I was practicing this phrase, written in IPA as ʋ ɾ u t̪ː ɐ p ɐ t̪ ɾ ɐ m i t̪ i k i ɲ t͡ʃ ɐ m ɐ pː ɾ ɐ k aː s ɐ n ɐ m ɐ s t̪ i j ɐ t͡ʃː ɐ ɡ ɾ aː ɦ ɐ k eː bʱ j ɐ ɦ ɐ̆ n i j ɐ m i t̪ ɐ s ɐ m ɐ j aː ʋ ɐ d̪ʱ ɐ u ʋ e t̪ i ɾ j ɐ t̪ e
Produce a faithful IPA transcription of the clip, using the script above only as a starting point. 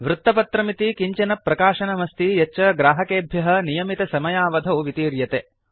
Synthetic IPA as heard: ʋ ɾ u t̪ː ɐ p ɐ t̪ ɾ ɐ m i t̪ i k i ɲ t͡ʃ ɐ n ɐ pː ɾ ɐ k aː ʃ ɐ n ɐ m ɐ s t̪ i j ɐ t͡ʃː ɐ ɡ ɾ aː ɦ ɐ k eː bʱ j ɐ ɦ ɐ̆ n i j ɐ m i t̪ ɐ s ɐ m ɐ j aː ʋ ɐ d̪ʱ ɐ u ʋ i t̪ iː ɾ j ɐ t̪ e